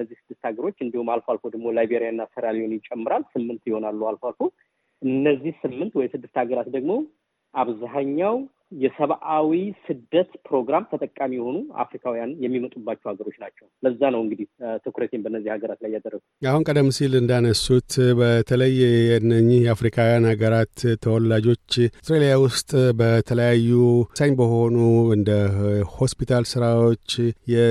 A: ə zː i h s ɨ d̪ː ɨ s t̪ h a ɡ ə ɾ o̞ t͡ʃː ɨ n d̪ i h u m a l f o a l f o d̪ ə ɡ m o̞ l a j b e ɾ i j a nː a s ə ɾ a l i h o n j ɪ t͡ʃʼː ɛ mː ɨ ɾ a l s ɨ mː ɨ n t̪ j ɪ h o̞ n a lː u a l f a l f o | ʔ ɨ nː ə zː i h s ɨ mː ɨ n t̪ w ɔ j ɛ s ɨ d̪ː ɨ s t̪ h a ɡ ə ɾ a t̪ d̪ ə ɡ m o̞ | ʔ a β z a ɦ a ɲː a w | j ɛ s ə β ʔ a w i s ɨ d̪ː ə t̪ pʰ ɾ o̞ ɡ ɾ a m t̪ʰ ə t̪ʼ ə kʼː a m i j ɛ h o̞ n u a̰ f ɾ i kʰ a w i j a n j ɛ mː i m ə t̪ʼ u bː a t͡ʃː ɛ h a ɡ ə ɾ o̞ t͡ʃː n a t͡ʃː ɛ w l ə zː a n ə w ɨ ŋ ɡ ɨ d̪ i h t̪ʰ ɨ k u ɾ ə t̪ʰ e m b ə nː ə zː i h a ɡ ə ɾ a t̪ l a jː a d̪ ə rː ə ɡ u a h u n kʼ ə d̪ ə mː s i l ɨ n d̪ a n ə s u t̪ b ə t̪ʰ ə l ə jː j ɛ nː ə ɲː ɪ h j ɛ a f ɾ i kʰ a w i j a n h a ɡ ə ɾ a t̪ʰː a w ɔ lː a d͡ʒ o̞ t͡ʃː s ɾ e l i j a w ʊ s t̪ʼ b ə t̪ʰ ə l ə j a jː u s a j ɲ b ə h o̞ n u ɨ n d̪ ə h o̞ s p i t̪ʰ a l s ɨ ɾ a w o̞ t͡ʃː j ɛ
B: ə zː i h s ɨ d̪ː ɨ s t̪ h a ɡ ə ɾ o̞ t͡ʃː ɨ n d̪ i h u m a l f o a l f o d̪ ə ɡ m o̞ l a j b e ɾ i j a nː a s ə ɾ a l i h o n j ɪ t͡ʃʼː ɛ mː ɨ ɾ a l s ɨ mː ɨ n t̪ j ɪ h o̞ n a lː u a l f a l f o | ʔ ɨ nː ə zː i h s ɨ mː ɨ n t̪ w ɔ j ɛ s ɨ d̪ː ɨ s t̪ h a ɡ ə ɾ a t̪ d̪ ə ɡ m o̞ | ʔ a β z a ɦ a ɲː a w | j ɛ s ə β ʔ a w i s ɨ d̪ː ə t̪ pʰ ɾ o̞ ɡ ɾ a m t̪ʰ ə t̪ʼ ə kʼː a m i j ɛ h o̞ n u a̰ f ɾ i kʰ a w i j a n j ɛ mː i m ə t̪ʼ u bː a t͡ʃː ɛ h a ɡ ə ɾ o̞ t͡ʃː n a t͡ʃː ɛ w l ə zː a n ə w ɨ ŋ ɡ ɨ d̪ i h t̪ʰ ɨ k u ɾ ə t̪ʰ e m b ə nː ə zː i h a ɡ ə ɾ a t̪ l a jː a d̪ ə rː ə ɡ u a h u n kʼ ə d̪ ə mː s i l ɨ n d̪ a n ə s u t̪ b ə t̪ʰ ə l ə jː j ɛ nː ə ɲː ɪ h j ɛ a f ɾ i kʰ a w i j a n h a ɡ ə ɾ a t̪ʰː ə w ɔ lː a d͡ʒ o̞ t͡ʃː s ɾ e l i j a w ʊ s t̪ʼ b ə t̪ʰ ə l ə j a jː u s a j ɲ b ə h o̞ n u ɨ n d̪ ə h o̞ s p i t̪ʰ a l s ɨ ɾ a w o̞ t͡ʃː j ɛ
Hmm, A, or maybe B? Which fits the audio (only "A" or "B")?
B